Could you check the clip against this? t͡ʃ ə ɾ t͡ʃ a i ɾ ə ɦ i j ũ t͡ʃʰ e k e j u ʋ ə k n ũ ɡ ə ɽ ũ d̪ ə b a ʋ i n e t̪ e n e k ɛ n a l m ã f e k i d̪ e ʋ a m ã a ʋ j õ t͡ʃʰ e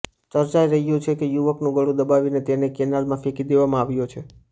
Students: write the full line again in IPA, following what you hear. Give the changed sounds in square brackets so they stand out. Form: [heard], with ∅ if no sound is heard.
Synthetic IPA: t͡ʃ ə ɾ t͡ʃ a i ɾ ə ɦ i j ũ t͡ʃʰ e k e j u ʋ ə k n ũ ɡ ə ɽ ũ d̪ ə b a ʋ i n e t̪ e n e k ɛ n a l m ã f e k i d̪ e ʋ a m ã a ʋ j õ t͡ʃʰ e